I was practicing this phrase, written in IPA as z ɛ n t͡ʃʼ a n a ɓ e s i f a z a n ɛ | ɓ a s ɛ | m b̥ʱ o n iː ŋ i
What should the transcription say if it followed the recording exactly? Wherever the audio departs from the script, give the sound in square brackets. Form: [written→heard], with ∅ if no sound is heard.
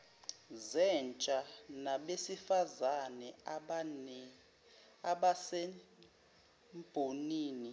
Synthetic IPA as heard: z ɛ n t͡ʃʼ a n a ɓ e s i f a z a n ɛ | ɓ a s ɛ | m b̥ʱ o n iː [ŋ→n] i